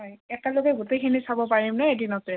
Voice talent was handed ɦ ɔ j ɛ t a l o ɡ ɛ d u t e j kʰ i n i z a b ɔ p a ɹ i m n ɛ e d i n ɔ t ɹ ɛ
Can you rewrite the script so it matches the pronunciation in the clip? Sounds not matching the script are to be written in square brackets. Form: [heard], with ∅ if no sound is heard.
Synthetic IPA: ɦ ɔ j ɛ t a l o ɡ ɛ [ɡ] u t e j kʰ i n i [s] a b ɔ p a ɹ i m n ɛ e d i n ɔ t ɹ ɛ